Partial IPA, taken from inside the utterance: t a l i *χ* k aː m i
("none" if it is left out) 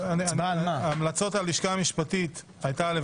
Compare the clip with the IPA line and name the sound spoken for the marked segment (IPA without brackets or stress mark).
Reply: ʃ